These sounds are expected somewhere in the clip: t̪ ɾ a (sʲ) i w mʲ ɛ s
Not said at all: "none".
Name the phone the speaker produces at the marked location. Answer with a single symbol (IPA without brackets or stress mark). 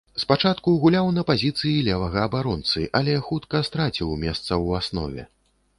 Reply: t͡sʲ